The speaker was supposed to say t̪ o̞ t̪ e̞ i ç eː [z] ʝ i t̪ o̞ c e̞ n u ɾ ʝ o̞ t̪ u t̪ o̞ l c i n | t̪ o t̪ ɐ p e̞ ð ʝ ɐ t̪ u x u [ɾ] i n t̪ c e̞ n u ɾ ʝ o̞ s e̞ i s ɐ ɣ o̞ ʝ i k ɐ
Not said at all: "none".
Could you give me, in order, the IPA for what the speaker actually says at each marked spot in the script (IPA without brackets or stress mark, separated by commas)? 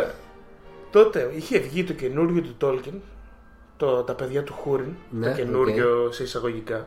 v, ɾ